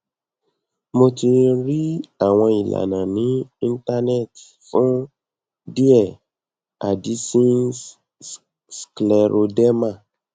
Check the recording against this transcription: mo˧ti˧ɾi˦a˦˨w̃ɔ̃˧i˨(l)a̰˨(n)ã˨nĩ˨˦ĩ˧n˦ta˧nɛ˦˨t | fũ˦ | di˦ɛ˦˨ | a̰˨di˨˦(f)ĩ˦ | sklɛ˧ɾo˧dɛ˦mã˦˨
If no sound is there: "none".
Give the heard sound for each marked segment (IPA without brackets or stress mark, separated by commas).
l, n, s